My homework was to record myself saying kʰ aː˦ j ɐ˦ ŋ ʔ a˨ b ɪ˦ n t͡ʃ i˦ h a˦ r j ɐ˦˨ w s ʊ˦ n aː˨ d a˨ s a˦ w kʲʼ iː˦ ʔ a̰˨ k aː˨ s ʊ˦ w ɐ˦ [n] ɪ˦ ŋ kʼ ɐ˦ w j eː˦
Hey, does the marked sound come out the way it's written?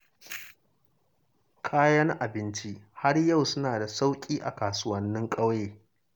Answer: no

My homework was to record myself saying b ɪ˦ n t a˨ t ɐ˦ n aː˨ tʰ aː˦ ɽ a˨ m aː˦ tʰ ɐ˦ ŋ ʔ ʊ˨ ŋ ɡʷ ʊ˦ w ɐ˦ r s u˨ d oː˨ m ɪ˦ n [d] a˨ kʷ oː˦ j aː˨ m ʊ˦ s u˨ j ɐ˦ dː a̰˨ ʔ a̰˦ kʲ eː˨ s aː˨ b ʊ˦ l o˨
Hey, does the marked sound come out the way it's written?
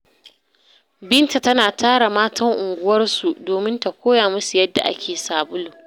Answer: no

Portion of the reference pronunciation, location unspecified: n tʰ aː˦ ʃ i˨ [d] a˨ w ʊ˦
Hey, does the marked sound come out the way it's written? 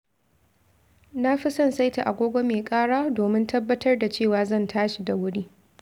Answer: yes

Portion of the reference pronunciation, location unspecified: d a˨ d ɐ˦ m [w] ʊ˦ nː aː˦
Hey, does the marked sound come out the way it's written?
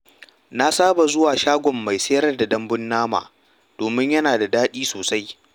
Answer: no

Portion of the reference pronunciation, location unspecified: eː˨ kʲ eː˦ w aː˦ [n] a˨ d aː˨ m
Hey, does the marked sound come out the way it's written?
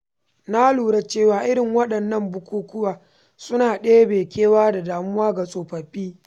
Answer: no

